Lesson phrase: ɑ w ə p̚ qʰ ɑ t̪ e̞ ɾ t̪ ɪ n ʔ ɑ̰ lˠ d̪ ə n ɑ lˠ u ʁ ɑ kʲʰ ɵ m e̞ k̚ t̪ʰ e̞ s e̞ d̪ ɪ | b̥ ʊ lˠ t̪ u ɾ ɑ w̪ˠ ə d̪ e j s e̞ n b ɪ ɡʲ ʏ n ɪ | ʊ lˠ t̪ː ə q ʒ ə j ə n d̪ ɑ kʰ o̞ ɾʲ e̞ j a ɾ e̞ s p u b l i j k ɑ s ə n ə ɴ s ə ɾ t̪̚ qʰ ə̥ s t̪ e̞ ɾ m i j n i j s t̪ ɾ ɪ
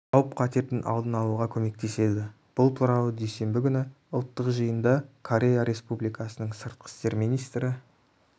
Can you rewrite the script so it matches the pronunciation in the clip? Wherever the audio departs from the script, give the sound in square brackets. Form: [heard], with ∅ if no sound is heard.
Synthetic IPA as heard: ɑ w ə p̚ qʰ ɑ t̪ e̞ ɾ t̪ ɪ n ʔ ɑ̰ lˠ d̪ ə n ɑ lˠ u ʁ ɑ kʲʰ ɵ m e̞ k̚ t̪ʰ e̞ s e̞ d̪ ɪ | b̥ ʊ lˠ [t̪ʰ] u ɾ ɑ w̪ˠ ə d̪ e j s e̞ [m] b ɪ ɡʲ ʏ n ɪ | ʊ lˠ t̪ː ə q ʒ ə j ə n d̪ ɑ kʰ o̞ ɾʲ e̞ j a ɾ e̞ s p u b l i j k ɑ s ə n ə ɴ s ə ɾ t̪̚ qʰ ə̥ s t̪ e̞ ɾ m i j n i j s t̪ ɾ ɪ

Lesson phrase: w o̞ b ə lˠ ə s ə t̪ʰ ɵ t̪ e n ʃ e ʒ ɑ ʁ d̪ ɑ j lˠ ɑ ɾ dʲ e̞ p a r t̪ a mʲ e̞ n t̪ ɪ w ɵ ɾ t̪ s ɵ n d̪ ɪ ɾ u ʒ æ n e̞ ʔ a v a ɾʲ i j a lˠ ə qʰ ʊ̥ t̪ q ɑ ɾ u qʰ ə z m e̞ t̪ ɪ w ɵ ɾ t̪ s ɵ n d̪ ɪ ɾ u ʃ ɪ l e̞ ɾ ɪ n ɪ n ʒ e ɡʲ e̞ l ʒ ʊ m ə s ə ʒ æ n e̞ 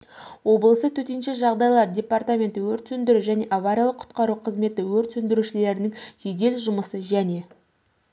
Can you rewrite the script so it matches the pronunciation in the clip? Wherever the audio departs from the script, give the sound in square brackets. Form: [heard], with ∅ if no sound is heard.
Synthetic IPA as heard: w o̞ b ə lˠ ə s ə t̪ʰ ɵ t̪ e n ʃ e ʒ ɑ ʁ d̪ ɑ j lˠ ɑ ɾ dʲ e̞ p a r t̪ a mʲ e̞ n t̪ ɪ w ɵ ɾ t̪ s ɵ n d̪ ɪ ɾ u ʒ æ n e̞ ʔ a v a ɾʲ i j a lˠ ə qʰ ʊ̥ t̪ q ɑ ɾ u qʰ ə z m e̞ t̪ ɪ w ɵ ɾ t̪ s ɵ n d̪ ɪ ɾ u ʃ ɪ l e̞ ɾ ɪ n ɪ [ŋ] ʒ e ɡʲ e̞ l ʒ ʊ m ə s ə ʒ æ n e̞

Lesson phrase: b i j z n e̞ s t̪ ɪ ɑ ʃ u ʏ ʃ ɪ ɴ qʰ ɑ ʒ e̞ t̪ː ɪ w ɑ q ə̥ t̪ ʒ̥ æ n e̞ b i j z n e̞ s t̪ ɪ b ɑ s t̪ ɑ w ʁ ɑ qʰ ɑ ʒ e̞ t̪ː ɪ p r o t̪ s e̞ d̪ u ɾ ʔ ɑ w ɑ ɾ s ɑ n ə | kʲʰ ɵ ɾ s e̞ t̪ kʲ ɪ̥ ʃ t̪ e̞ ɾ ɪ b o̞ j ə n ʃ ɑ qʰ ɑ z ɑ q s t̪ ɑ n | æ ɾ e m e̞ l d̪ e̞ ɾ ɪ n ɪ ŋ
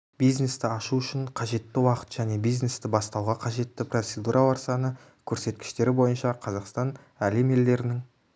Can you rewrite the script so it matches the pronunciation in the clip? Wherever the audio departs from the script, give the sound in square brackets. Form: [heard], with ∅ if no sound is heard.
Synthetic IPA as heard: b i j z n e̞ s t̪ ɪ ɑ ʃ u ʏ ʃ ɪ ɴ qʰ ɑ ʒ e̞ t̪ː ɪ w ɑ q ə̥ t̪ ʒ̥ æ n e̞ b i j z n e̞ s t̪ ɪ b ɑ s t̪ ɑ w ʁ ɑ qʰ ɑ ʒ e̞ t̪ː ɪ p r o t̪ s e̞ d̪ u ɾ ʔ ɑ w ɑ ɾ s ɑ n ə | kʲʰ ɵ ɾ s e̞ t̪ kʲ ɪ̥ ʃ t̪ e̞ ɾ ɪ b o̞ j ə n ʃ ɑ qʰ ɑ z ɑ q s t̪ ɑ n | æ [l] e m e̞ l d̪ e̞ ɾ ɪ n ɪ ŋ

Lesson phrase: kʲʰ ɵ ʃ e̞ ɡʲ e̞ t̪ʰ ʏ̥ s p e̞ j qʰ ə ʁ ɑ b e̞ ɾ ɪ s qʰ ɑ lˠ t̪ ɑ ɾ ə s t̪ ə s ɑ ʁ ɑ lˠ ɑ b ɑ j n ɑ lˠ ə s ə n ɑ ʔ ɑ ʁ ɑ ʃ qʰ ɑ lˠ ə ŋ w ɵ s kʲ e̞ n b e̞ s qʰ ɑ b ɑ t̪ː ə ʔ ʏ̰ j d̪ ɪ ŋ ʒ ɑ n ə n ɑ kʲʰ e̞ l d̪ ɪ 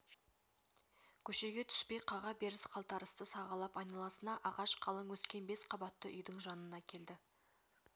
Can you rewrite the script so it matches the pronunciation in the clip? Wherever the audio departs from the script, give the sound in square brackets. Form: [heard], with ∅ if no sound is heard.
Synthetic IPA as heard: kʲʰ ɵ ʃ e̞ ɡʲ e̞ t̪ʰ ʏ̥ s p e̞ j qʰ [ɑ] ʁ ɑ b e̞ ɾ ɪ s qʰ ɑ lˠ t̪ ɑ ɾ ə s t̪ ə s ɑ ʁ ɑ lˠ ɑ [p] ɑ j n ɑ lˠ [ɑ] s ə n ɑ ʔ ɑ ʁ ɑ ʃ qʰ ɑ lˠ ə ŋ w ɵ s kʲ e̞ n b e̞ s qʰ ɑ b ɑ t̪ː ə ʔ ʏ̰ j d̪ ɪ ŋ ʒ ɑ n ə n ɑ kʲʰ e̞ l d̪ ɪ

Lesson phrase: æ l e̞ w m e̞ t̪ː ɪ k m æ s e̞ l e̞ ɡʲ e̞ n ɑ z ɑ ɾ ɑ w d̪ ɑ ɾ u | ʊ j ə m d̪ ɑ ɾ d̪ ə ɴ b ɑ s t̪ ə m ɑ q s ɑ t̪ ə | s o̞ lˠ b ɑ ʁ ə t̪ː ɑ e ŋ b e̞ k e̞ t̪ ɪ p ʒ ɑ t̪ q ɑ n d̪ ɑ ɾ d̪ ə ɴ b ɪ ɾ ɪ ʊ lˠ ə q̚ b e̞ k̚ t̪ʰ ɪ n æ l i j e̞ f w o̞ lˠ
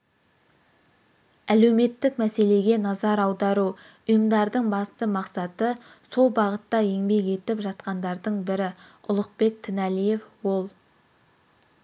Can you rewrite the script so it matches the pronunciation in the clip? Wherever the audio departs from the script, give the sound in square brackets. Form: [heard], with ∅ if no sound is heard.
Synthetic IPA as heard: æ l e̞ w m e̞ t̪ː ɪ k m æ s e̞ l e̞ ɡʲ e̞ n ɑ z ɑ ɾ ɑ w d̪ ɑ ɾ u | ʊ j ə m d̪ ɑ ɾ d̪ ə ɴ b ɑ s t̪ ə m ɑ q s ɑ t̪ ə | s o̞ lˠ b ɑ ʁ ə t̪ː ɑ e ŋ b e̞ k e̞ t̪ ɪ p ʒ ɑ t̪ q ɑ n d̪ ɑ ɾ d̪ ə ɴ b ɪ ɾ ɪ ʊ lˠ ə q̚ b e̞ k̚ t̪ʰ ɪ n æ l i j e̞ f w o̞ lˠ

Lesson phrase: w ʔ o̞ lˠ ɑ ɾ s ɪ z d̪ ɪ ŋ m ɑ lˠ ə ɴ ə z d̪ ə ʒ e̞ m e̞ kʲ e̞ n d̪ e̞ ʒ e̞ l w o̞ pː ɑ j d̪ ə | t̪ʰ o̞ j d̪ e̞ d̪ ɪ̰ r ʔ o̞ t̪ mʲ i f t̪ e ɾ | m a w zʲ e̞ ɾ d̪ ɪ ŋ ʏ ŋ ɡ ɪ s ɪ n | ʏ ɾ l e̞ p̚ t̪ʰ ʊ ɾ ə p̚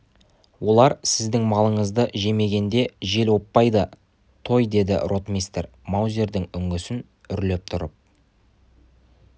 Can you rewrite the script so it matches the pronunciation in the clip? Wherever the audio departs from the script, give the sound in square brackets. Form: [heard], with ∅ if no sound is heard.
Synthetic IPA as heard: w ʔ o̞ lˠ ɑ ɾ s ɪ z d̪ ɪ ŋ m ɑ lˠ ə ɴ ə z d̪ ə ʒ e̞ m e̞ [ɡʲ] e̞ n d̪ e̞ ʒ e̞ l w o̞ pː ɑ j d̪ ə | t̪ʰ o̞ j d̪ e̞ d̪ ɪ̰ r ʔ o̞ t̪ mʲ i [s] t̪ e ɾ | m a w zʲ e̞ ɾ d̪ ɪ ŋ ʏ ŋ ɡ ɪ s ɪ n | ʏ ɾ l e̞ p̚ t̪ʰ ʊ ɾ ə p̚

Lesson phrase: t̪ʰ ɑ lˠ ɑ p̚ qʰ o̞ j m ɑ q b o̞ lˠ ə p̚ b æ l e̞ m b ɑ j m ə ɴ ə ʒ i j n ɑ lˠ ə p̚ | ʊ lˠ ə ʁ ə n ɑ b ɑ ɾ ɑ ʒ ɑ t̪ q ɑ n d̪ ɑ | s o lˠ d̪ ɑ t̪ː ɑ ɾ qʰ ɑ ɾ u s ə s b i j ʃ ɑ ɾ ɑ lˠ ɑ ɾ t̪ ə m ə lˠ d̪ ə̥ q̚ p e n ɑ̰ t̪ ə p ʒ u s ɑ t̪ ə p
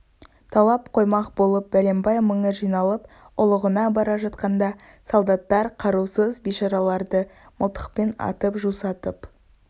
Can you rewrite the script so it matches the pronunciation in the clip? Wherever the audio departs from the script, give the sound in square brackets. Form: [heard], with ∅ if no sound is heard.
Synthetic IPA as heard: t̪ʰ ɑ lˠ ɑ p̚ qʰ o̞ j m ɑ q b o̞ lˠ ə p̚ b æ l e̞ m b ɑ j m ə ɴ ə ʒ i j n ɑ lˠ ə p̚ | ʊ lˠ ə ʁ ə n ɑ b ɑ ɾ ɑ ʒ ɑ t̪ q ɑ n d̪ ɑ | s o lˠ d̪ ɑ t̪ː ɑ ɾ qʰ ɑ ɾ u s ə [z] b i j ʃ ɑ ɾ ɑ lˠ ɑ ɾ [d̪] ə m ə lˠ [t̪] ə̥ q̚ p e n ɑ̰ t̪ ə p ʒ u s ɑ t̪ ə p

